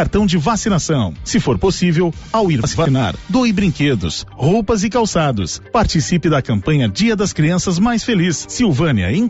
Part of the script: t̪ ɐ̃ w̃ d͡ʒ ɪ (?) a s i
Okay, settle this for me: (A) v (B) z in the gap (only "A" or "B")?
A